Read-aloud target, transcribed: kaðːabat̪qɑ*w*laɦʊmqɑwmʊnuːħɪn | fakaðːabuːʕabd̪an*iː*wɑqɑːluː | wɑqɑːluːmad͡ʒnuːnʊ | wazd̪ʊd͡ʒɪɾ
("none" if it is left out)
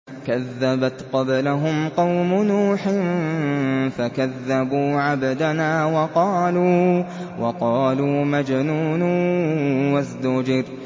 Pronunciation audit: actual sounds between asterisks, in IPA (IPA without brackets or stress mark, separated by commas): b, aː